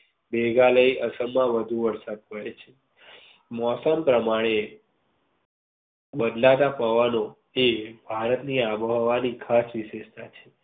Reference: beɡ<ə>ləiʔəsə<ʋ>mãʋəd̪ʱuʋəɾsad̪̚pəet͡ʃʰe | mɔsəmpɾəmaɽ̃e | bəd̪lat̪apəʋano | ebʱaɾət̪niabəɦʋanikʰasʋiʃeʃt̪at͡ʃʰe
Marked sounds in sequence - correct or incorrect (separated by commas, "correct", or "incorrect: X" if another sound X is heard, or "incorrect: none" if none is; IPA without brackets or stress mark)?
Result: incorrect: a, incorrect: none